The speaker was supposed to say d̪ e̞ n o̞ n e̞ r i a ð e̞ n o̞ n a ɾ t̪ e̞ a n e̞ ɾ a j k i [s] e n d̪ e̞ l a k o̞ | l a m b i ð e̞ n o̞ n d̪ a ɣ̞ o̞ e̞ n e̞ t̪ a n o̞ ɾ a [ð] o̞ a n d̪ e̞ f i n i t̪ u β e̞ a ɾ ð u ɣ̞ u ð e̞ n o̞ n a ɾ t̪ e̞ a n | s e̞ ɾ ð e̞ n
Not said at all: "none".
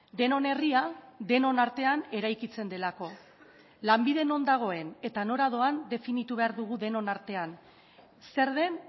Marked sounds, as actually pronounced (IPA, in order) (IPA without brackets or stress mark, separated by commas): t͡s, ð